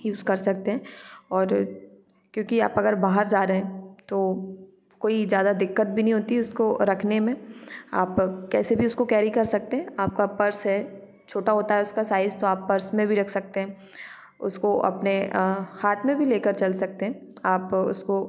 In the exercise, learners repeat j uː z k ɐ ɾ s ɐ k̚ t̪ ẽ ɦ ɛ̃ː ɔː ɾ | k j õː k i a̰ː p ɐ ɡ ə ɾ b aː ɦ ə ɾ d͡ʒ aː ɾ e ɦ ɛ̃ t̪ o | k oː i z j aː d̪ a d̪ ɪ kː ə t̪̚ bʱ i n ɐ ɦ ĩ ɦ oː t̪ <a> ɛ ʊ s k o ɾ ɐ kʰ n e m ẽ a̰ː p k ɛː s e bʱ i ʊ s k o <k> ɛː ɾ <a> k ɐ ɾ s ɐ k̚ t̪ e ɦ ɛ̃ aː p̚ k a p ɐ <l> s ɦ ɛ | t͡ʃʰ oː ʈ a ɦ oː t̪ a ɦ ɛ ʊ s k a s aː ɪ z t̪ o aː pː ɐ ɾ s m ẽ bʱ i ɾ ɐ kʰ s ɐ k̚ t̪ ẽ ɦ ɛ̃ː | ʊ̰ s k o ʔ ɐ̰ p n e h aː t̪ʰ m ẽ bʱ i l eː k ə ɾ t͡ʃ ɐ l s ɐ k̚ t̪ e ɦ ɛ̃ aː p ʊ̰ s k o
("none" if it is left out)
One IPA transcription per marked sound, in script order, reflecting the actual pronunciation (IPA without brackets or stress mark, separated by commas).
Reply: i, k, i, ɾ